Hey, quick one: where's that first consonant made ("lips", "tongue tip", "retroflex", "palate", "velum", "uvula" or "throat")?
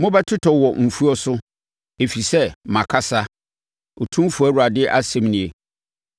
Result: lips